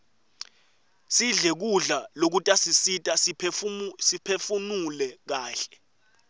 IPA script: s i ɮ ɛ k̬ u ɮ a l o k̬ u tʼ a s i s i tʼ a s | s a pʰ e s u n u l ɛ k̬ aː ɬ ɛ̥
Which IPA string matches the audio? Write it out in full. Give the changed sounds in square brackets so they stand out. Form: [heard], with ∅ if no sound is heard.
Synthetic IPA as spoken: s i ɮ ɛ k̬ u ɮ a l o k̬ u tʼ a s i s i tʼ a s | s [i] pʰ e [f] u n u l ɛ k̬ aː ɬ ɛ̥